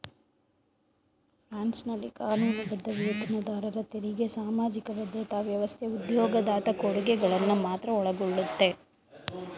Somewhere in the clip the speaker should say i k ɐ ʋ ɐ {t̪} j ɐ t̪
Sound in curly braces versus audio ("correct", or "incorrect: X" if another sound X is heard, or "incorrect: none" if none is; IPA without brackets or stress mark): incorrect: d̪